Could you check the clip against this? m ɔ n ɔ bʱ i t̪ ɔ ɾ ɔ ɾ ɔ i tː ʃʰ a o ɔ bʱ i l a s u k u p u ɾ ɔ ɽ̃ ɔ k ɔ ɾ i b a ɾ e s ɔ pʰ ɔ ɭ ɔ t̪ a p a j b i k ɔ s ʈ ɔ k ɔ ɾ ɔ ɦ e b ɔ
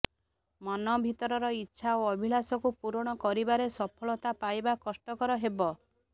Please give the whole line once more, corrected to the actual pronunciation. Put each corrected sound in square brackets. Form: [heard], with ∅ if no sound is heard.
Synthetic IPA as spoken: m ɔ n ɔ bʱ i t̪ ɔ ɾ ɔ ɾ ɔ i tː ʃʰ a o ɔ bʱ i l a s [ɔ] k u p u ɾ ɔ ɽ̃ ɔ k ɔ ɾ i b a ɾ e s ɔ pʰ ɔ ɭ ɔ t̪ a p a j b [a] k ɔ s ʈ ɔ k ɔ ɾ ɔ ɦ e b ɔ